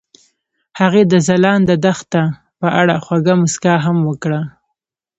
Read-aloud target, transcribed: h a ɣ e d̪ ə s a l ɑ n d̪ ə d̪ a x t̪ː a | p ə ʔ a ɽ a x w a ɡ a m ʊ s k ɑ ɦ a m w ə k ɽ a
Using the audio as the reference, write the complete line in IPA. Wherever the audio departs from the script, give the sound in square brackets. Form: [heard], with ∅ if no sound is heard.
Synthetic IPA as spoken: h a ɣ e d̪ ə [z] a l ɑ n d̪ ə d̪ a x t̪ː a | p ə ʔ a ɽ a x w a ɡ a m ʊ s k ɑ ɦ a m w ə k ɽ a